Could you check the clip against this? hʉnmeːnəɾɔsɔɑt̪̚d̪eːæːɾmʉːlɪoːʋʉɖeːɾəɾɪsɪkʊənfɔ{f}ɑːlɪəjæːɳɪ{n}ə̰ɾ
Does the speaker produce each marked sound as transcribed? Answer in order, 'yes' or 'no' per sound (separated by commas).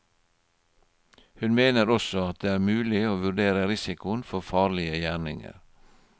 yes, no